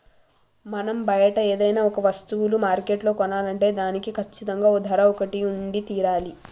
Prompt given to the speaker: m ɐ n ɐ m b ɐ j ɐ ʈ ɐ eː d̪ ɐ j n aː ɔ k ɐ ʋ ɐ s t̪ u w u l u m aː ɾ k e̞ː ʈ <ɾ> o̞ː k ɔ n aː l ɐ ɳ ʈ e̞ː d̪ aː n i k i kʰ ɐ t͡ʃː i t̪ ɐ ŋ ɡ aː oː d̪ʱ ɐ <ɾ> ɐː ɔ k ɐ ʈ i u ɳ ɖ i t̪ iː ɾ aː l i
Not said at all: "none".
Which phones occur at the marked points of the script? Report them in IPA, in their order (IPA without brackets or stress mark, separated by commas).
l, ɾ